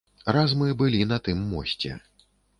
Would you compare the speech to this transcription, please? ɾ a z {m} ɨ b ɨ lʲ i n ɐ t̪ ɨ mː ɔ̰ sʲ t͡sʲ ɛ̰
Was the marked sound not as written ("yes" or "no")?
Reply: no